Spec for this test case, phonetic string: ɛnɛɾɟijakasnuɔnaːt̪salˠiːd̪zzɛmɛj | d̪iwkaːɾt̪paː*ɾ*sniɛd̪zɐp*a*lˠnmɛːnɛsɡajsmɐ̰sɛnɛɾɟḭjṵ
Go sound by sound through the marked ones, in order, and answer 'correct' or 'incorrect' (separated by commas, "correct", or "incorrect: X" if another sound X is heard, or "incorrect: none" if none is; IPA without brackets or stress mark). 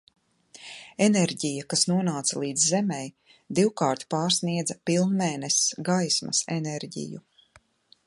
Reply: correct, incorrect: i